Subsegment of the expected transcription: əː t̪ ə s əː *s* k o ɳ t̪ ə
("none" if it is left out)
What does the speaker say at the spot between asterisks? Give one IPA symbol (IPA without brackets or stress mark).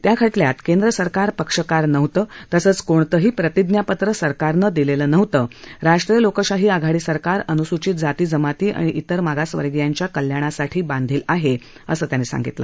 t͡s